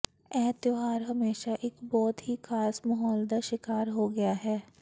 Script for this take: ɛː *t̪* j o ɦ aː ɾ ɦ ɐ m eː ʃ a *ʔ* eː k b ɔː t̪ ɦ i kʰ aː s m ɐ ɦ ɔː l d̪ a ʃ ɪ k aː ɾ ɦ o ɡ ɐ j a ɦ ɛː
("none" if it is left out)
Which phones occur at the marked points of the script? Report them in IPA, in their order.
t̪, ʔ

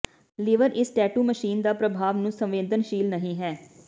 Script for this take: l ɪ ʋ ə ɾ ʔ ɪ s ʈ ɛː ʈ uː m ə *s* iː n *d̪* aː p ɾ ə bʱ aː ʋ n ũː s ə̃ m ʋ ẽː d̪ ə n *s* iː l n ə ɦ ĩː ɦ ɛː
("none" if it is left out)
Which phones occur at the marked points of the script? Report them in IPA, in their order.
ʃ, d̪, ʃ

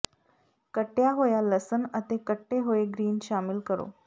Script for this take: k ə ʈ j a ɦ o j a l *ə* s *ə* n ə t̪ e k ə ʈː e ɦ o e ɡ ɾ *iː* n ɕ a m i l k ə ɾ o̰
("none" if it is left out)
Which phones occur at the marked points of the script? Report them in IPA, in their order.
ə, ə, iː

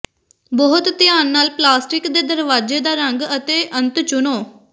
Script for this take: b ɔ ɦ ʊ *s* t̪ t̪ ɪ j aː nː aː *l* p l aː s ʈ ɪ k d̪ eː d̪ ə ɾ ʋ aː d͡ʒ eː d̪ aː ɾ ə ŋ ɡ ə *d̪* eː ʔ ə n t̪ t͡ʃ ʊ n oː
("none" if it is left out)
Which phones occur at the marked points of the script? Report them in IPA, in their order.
none, l, t̪

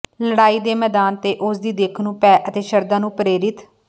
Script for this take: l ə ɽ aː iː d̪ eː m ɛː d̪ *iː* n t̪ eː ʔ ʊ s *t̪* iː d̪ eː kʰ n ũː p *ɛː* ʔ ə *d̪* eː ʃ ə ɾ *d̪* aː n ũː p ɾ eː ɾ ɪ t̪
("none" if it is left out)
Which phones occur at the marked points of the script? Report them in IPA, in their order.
aː, d̪, ɛː, t̪, d̪

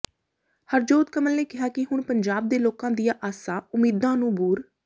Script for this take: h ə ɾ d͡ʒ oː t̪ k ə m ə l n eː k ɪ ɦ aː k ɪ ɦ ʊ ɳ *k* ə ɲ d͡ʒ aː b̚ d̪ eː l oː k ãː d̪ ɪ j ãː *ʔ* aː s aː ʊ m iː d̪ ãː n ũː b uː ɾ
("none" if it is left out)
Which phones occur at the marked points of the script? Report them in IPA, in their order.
p, ʔ

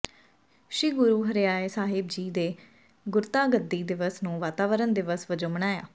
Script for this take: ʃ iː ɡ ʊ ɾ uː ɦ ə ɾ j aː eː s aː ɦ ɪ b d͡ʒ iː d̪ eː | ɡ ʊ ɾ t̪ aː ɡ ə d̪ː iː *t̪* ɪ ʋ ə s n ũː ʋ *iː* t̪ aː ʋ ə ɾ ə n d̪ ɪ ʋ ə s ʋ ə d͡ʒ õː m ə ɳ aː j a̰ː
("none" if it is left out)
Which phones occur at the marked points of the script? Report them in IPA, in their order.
d̪, aː

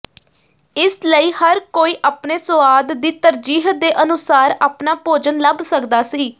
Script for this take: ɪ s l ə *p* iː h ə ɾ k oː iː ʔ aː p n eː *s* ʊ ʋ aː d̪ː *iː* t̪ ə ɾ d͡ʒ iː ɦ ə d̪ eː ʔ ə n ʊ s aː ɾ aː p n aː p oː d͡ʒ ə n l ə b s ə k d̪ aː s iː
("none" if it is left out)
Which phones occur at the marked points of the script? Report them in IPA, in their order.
none, s, iː

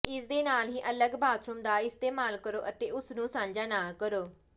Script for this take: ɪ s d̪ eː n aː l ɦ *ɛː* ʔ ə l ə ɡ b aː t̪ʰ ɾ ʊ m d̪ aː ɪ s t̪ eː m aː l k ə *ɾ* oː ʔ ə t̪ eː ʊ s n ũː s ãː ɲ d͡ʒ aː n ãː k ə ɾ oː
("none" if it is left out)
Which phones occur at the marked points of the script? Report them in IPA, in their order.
iː, ɾ

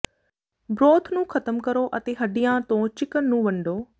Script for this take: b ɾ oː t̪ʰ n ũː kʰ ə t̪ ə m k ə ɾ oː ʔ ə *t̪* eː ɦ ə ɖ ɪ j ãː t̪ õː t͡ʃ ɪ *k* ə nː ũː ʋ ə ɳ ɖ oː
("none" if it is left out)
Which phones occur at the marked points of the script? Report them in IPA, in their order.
t̪, k

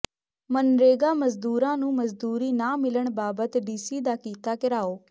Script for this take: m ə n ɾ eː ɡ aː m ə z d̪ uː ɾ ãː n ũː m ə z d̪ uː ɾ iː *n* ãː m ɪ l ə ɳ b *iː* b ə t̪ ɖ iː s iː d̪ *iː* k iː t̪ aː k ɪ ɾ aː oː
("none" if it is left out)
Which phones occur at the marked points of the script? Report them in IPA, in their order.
n, aː, aː

